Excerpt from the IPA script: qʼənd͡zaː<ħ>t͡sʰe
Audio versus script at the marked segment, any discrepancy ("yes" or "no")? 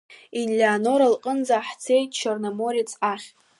no